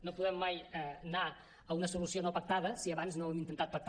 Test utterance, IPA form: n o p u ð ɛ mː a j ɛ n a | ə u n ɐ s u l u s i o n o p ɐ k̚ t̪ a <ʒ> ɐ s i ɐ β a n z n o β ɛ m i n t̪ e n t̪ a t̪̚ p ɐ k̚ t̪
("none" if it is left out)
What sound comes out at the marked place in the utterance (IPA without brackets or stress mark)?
ð